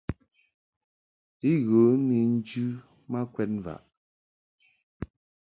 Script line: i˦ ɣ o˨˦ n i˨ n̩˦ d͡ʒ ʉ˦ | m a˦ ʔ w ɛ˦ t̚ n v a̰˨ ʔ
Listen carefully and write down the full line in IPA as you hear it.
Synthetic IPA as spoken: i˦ ɣ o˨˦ n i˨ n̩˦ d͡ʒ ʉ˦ | m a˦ k w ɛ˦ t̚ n v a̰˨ ʔ